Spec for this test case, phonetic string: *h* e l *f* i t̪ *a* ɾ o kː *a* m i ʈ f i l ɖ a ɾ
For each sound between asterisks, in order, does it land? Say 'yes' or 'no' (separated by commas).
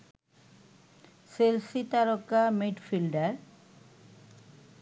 no, no, yes, yes